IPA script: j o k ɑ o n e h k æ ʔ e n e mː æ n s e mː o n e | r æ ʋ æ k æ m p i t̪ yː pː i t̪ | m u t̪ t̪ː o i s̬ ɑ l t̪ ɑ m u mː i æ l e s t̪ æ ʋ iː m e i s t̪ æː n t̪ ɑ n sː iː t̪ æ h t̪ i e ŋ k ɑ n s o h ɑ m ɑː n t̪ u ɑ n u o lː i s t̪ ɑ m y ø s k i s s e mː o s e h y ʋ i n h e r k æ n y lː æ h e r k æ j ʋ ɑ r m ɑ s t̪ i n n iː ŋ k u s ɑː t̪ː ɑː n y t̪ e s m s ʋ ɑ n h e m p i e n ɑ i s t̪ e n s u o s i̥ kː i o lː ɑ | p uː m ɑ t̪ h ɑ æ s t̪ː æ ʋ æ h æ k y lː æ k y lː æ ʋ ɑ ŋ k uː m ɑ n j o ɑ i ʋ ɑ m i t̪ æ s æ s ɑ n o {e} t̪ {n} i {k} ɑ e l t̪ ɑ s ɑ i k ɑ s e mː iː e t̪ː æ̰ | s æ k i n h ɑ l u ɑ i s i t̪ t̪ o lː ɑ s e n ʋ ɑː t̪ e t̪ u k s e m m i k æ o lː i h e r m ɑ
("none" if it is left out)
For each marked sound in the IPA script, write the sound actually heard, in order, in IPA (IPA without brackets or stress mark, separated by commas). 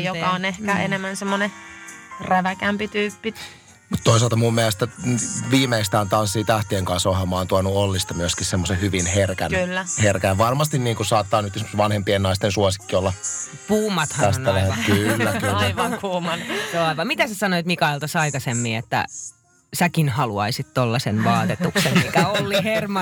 i, m, k